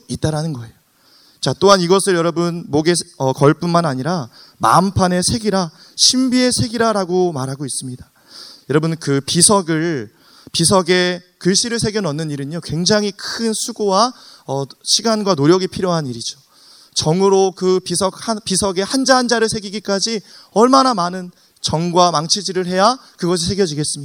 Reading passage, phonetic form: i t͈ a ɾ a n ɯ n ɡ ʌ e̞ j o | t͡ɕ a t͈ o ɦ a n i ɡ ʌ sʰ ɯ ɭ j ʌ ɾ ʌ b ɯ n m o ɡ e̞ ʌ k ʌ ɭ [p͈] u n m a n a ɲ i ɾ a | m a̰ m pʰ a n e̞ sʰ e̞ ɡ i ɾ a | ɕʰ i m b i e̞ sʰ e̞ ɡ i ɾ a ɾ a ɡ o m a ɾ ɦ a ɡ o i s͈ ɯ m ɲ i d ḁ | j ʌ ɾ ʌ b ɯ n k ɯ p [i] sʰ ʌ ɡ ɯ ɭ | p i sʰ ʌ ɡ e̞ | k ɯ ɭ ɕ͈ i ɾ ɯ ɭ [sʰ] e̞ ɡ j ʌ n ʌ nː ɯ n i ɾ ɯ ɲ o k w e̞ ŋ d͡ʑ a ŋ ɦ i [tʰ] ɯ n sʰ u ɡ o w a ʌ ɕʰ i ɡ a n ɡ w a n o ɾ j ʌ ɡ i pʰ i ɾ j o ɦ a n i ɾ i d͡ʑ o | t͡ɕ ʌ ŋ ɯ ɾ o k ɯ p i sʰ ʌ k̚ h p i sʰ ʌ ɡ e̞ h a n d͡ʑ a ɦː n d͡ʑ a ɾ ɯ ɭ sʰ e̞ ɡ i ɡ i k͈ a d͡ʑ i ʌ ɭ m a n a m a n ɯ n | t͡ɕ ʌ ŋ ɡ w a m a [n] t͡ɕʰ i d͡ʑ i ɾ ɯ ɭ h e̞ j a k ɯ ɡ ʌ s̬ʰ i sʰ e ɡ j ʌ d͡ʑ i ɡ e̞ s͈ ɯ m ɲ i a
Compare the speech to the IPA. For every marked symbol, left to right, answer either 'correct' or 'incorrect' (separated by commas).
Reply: correct, correct, correct, incorrect, incorrect